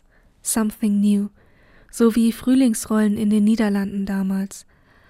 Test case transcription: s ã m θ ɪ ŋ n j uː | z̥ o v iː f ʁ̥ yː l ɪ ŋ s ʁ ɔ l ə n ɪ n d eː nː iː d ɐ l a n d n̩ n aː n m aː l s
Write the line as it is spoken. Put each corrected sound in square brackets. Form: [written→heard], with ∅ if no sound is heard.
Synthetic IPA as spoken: s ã m θ ɪ ŋ n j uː | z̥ o v iː f ʁ̥ yː l ɪ ŋ s ʁ ɔ l ə n ɪ n d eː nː iː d ɐ l a n d n̩ [n→d] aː [n→∅] m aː l s